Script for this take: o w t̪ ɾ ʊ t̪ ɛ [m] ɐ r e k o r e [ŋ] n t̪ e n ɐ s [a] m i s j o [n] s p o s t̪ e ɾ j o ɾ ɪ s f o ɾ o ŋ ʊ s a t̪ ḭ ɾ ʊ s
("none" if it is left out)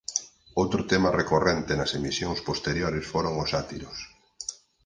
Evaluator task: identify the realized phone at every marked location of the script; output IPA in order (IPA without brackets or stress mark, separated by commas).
m, none, e, ŋ